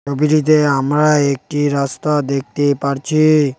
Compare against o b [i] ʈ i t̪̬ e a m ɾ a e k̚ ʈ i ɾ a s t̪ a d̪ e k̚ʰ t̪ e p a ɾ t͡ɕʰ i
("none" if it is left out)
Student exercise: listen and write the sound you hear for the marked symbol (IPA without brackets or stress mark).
i